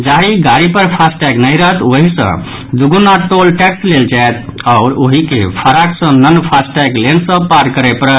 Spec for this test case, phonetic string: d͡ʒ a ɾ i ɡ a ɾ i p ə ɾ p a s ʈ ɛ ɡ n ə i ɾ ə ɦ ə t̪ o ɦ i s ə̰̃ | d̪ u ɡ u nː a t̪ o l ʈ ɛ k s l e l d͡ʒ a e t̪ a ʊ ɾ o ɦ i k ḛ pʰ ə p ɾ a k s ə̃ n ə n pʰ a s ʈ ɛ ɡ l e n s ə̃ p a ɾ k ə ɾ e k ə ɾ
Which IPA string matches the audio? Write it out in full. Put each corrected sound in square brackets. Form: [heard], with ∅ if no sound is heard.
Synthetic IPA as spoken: d͡ʒ a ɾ i ɡ a ɾ i p ə ɾ [pʰ] a s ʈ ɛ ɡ n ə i ɾ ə ɦ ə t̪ o ɦ i s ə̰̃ | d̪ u ɡ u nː a t̪ o l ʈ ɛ k s l e l d͡ʒ a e t̪ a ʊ ɾ o ɦ i k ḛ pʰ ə [∅] ɾ a k s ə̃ n ə n pʰ a s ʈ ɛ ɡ l e n s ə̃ p a ɾ k ə ɾ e [p] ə ɾ